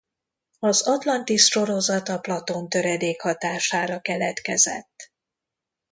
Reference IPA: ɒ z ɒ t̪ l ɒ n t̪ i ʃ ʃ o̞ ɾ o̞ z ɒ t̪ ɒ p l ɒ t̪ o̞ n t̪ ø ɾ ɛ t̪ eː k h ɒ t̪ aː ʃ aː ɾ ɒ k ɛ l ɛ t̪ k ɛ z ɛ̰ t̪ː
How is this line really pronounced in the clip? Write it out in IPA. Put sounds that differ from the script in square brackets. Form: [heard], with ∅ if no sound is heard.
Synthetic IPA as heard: ɒ z ɒ t̪ l ɒ n t̪ i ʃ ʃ o̞ ɾ o̞ z ɒ t̪ ɒ p l ɒ t̪ o̞ n t̪ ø ɾ ɛ [d̪] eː k h ɒ t̪ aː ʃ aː ɾ ɒ k ɛ l ɛ t̪ k ɛ z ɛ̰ t̪ː

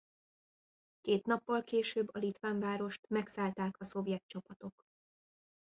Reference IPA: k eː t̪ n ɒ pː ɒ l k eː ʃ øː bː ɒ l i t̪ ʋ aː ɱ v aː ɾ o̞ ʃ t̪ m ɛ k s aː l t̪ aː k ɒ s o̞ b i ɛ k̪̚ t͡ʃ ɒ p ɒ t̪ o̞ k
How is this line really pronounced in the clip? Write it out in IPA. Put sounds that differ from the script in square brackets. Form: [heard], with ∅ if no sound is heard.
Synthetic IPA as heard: k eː t̪ n ɒ pː ɒ l k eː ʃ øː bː ɒ l i t̪ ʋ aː ɱ v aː ɾ o̞ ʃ t̪ m ɛ k s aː l t̪ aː k ɒ s o̞ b [j] ɛ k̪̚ t͡ʃ ɒ p ɒ t̪ o̞ k

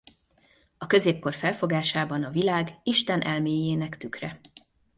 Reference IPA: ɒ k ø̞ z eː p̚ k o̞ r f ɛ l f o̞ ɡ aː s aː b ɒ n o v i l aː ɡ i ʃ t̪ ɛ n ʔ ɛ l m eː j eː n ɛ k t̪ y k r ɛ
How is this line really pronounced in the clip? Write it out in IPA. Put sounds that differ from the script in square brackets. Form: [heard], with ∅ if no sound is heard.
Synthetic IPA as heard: ɒ k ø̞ z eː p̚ k o̞ r f ɛ l f o̞ ɡ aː [ʃ] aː b ɒ n [ɒ] v i l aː ɡ i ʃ t̪ ɛ n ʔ ɛ l m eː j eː n ɛ k t̪ y k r ɛ

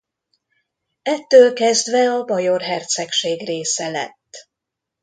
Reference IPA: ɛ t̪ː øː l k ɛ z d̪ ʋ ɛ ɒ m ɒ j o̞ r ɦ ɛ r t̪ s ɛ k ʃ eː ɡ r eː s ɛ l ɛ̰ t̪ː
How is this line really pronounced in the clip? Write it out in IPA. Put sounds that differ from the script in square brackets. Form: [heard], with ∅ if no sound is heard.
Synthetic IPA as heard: ɛ t̪ː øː l k ɛ z d̪ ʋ ɛ ɒ [b] ɒ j o̞ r ɦ ɛ r t̪ s ɛ k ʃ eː ɡ r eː s ɛ l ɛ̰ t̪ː

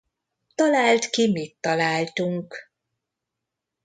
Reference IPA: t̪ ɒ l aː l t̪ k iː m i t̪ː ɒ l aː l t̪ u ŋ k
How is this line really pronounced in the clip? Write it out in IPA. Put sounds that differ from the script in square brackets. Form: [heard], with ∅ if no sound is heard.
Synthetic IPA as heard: t̪ ɒ l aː l t̪ k [i] m i t̪ː ɒ l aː l t̪ u ŋ k

